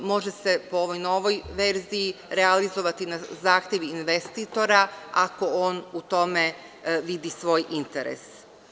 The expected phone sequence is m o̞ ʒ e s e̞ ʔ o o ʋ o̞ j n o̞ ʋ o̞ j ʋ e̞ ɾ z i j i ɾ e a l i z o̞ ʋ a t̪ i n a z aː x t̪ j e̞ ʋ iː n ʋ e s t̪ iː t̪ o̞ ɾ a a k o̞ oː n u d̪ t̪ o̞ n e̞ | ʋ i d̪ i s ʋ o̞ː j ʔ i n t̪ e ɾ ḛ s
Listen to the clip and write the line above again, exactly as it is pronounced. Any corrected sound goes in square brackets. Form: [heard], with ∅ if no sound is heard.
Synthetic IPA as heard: m o̞ ʒ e s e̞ [p] o o ʋ o̞ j n o̞ ʋ o̞ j ʋ e̞ ɾ z i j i ɾ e a l i z o̞ ʋ a t̪ i n a z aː x t̪ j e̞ ʋ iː n ʋ e s t̪ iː t̪ o̞ ɾ a a k o̞ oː n u [∅] t̪ o̞ [m] e̞ | ʋ i d̪ i s ʋ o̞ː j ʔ i n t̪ e ɾ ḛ s